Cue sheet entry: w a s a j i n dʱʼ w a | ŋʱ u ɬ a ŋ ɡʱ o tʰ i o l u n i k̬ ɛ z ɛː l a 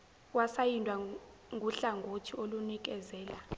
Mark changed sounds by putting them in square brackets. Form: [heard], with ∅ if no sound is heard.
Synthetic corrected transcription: w a s a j i n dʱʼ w a | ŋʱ u ɬ a ŋ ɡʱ o tʰ i o l u n i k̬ ɛ z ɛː l a